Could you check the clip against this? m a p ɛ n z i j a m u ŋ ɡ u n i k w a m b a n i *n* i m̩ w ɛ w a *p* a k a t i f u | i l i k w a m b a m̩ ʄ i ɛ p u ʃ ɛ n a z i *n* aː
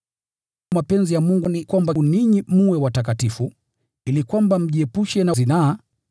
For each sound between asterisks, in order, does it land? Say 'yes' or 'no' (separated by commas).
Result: no, no, yes